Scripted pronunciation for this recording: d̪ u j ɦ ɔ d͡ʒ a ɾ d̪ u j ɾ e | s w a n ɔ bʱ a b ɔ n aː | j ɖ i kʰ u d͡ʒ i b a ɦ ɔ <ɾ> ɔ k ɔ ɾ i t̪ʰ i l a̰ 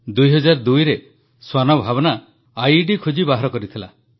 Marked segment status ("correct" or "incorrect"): correct